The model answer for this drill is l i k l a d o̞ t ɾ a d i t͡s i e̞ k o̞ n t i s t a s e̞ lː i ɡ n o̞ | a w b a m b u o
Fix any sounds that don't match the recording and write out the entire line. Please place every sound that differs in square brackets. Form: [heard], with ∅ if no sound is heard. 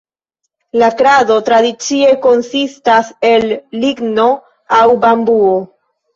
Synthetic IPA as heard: l [a] k [ɾ] a d o̞ t ɾ a d i t͡s i e̞ k o̞ n [s] i s t a s e̞ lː i ɡ n o̞ | a w b a m b u o